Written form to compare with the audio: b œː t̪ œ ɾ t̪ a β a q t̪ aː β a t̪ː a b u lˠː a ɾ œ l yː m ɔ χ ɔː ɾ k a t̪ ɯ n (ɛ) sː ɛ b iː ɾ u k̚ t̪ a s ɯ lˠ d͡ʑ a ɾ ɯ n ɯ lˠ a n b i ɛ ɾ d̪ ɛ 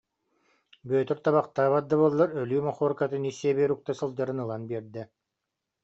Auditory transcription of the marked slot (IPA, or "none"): i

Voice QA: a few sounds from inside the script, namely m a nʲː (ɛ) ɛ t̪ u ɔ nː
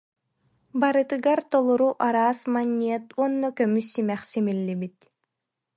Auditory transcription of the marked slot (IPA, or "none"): i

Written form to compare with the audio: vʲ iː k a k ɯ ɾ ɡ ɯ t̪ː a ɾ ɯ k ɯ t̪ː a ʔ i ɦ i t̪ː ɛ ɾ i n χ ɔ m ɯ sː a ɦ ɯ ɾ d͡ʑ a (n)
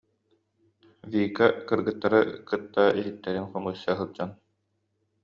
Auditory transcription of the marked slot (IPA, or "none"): n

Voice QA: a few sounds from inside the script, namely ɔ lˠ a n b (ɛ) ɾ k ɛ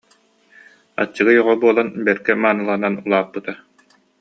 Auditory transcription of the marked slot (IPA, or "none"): ɛ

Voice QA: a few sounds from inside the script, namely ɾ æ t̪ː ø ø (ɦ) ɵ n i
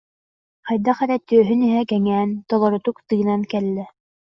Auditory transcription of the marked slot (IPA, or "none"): ɦ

